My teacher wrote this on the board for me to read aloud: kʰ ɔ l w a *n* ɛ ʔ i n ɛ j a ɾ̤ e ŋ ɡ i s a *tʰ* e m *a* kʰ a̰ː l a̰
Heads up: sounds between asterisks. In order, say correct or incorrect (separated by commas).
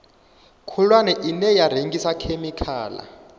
correct, incorrect, incorrect